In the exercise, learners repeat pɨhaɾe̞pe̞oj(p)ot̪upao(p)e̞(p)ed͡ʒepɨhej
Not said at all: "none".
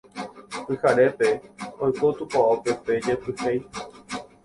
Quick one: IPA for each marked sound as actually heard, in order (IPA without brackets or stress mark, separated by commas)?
k, p, p